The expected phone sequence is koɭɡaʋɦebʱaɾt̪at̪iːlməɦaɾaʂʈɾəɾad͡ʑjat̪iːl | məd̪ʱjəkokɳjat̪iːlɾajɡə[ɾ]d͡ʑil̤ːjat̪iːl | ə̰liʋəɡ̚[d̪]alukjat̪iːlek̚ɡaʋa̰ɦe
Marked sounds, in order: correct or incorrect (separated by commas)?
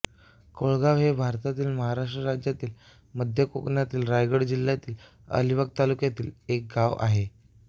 incorrect, incorrect